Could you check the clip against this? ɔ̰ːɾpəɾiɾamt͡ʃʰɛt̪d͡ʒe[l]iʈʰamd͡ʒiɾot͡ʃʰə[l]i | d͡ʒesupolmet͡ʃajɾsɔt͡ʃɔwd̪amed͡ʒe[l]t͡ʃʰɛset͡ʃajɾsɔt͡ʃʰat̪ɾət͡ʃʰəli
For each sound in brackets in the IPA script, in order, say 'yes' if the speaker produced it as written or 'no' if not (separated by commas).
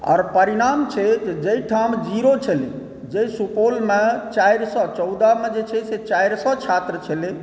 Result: no, yes, no